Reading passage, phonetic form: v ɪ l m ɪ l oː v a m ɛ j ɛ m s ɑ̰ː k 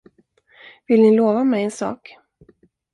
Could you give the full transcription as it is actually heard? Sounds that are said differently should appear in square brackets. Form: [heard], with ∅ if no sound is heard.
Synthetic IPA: v ɪ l [n] ɪ l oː v a m ɛ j ɛ [n] s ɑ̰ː k